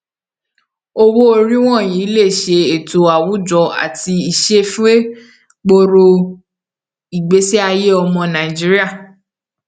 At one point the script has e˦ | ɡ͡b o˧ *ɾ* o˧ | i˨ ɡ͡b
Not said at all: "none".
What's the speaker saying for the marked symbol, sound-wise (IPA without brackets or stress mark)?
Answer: ɾ